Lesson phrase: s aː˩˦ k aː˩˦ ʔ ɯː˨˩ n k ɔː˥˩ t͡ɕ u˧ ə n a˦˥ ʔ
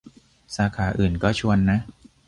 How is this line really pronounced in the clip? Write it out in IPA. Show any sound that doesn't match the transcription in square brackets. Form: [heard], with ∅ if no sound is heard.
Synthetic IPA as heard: s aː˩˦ [kʰ] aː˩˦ ʔ ɯː˨˩ n k ɔː˥˩ [t͡ɕʰ] u˧ ə [nː] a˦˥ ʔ